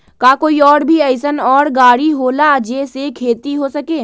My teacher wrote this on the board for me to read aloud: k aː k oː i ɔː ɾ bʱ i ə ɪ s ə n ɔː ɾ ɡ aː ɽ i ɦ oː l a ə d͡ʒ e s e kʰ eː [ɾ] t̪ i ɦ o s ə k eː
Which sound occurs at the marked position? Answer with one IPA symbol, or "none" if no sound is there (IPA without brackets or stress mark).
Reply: none